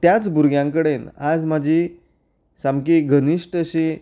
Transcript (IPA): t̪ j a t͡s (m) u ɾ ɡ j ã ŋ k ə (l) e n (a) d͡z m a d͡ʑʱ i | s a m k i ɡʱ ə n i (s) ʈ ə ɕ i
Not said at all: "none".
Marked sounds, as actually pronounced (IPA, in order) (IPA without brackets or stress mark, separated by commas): b, ɽ, a, ʂ